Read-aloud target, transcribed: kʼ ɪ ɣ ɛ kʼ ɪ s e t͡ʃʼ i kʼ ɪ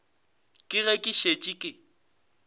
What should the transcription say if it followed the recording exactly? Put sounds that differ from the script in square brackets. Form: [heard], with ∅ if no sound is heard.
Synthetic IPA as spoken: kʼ ɪ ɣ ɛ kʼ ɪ [ʃ] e t͡ʃʼ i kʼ ɪ